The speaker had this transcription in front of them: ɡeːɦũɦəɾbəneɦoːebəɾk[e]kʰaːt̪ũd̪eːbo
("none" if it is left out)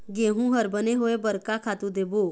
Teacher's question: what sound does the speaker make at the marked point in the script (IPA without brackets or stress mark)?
a